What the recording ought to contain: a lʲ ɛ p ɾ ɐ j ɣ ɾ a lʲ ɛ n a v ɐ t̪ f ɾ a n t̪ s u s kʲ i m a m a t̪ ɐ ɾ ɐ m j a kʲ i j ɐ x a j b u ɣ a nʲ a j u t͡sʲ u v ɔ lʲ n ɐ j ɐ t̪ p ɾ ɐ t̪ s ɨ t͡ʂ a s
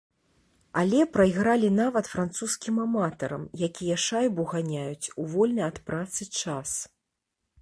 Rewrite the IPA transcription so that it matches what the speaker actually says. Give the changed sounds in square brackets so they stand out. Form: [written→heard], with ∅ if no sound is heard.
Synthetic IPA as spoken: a lʲ ɛ p ɾ ɐ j ɣ ɾ a lʲ [ɛ→i] n a v ɐ t̪ f ɾ a n t̪ s u s kʲ i m a m a t̪ ɐ ɾ ɐ m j a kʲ i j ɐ [x→ʂ] a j b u ɣ a nʲ a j u t͡sʲ u v ɔ lʲ n ɐ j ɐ t̪ p ɾ [ɐ→a] t̪ s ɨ t͡ʂ a s